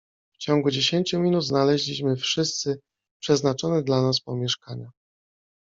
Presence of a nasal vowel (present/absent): absent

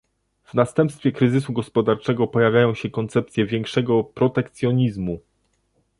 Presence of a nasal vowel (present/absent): present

